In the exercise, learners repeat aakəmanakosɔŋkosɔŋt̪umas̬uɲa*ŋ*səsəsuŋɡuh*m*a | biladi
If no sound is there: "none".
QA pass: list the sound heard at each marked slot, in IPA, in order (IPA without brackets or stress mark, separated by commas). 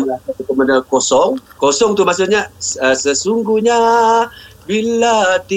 none, ɲ